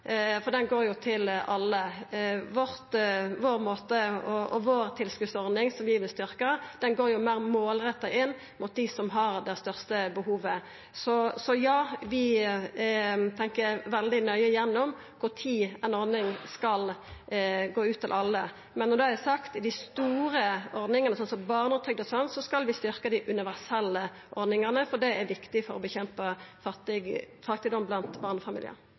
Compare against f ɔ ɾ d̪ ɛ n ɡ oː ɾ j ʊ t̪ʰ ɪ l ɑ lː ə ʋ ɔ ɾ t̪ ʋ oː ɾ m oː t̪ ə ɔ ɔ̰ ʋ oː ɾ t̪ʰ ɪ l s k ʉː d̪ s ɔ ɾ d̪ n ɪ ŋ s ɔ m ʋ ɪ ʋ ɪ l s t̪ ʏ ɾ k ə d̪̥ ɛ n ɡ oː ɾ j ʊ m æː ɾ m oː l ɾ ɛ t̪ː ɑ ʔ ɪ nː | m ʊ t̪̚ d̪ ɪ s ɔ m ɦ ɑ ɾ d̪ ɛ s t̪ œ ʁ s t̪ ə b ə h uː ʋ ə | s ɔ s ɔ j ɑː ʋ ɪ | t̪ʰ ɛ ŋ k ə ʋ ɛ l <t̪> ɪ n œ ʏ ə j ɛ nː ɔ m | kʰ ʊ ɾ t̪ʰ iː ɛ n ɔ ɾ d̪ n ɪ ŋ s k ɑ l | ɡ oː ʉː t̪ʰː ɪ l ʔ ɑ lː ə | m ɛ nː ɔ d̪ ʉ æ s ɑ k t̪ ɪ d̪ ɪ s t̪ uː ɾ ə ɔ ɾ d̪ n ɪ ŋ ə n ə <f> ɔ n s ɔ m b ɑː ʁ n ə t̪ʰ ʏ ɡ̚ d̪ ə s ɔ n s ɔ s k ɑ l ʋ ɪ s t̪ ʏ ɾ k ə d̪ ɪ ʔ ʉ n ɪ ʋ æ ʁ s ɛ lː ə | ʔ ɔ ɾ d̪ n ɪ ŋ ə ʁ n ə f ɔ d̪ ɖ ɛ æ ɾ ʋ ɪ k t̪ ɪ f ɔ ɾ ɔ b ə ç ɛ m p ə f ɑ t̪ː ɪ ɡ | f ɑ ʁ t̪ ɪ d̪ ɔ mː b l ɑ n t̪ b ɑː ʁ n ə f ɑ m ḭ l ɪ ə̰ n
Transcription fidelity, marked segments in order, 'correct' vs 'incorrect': incorrect: d̪, incorrect: s

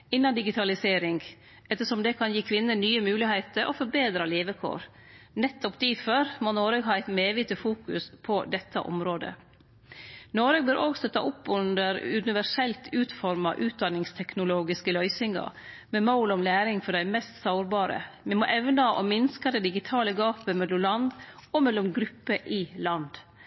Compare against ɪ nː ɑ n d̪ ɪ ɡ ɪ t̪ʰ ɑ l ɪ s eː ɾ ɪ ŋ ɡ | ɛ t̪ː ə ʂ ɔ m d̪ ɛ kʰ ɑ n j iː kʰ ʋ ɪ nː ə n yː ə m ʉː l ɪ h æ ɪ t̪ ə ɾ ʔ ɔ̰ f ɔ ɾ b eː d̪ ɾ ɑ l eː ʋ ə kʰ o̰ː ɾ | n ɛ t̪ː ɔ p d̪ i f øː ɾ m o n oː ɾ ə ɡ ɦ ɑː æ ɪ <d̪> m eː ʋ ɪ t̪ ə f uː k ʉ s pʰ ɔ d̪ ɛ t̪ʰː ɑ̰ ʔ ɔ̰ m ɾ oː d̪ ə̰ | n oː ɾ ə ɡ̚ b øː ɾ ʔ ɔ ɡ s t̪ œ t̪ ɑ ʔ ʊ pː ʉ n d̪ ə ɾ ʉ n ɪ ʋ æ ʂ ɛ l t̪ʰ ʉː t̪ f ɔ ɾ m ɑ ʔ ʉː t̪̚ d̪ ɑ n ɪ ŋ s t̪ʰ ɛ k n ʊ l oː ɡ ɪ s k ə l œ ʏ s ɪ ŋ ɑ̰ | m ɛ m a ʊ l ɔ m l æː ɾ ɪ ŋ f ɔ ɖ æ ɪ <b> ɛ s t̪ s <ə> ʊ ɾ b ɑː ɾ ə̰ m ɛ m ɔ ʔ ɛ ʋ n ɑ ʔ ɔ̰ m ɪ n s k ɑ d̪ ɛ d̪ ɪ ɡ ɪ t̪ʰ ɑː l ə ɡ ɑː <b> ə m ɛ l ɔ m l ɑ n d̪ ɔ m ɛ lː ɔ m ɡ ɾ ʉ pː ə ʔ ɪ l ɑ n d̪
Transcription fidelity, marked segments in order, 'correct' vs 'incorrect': incorrect: t̪, incorrect: m, incorrect: ɑ, incorrect: p

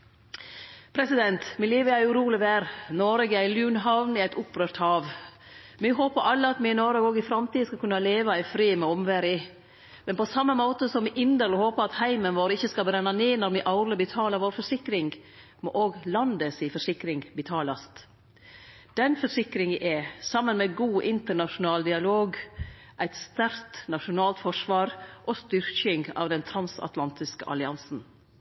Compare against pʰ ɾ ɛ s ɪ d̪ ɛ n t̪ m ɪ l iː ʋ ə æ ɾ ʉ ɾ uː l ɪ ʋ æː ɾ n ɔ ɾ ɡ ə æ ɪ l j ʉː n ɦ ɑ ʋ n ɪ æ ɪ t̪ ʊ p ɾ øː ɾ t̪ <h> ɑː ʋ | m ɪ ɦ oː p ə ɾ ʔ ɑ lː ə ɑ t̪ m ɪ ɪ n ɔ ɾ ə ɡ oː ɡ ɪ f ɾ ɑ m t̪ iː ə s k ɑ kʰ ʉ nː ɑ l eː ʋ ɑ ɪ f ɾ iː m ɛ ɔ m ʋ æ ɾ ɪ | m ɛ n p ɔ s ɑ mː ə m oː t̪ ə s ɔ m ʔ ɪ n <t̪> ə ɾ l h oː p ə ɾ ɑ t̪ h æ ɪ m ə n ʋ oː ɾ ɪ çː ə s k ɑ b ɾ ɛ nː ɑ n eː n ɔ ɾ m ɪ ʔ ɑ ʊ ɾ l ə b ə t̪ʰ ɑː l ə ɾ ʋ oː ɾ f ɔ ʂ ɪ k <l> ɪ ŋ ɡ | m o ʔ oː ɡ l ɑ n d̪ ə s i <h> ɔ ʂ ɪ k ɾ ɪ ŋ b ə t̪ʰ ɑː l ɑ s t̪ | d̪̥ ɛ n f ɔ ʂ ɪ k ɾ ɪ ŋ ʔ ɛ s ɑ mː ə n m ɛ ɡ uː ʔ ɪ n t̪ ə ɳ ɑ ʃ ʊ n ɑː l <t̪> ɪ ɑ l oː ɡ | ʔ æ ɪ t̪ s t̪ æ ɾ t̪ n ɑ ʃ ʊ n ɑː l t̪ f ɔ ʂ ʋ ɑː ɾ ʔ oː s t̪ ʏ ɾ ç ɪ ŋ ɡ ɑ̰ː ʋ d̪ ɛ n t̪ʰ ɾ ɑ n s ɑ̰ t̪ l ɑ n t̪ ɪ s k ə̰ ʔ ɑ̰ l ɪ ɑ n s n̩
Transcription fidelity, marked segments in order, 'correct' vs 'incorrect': correct, incorrect: d̪, incorrect: ɾ, incorrect: f, incorrect: d̪

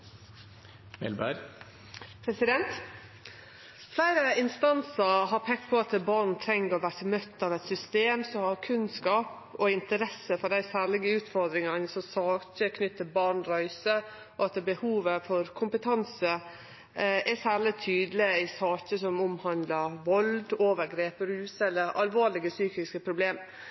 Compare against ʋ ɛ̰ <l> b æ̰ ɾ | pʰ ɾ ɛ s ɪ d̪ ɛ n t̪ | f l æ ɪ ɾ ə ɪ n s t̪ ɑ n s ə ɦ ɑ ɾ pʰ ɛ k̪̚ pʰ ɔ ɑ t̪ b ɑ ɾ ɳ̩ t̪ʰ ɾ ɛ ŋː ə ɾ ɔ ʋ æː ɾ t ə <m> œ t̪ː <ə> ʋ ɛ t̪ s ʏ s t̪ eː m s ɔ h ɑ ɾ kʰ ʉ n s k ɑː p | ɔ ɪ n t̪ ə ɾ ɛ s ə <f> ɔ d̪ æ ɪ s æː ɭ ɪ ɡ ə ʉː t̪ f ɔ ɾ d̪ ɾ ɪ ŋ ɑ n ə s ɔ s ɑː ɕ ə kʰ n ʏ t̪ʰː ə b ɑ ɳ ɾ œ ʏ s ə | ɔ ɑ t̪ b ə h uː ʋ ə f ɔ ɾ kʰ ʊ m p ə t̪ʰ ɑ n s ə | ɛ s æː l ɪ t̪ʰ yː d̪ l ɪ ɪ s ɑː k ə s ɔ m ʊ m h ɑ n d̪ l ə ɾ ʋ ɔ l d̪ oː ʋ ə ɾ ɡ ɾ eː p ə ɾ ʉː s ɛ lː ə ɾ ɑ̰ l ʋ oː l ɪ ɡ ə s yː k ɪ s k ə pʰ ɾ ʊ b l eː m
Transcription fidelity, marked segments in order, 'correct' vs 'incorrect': correct, correct, incorrect: ɑ, correct

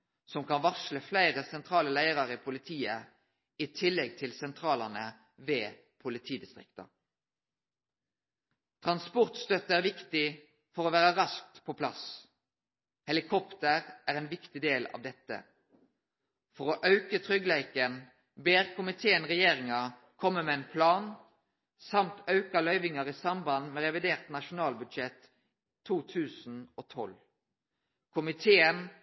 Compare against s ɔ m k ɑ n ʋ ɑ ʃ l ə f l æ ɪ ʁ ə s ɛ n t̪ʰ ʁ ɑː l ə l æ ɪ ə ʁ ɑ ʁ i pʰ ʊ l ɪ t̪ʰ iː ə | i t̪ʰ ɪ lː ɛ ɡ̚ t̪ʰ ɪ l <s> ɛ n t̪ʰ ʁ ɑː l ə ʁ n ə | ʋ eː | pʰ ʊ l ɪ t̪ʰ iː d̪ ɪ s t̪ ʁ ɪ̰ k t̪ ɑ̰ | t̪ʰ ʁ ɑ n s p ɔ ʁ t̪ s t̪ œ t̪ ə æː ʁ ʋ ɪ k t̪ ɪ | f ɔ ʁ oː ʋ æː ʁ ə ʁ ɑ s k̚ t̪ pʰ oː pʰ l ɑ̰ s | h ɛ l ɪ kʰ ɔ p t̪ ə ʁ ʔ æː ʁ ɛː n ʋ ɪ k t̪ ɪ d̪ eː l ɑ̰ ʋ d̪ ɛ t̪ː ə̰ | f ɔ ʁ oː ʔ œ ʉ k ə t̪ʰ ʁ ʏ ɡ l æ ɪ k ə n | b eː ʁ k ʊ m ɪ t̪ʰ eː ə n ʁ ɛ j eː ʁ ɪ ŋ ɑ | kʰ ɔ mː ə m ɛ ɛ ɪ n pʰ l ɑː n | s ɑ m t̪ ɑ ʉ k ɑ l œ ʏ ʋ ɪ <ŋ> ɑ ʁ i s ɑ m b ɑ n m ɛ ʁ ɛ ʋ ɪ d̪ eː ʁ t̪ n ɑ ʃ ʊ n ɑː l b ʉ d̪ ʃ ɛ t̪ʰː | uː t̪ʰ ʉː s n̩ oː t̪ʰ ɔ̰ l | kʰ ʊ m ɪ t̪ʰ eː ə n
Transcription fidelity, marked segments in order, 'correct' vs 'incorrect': correct, correct

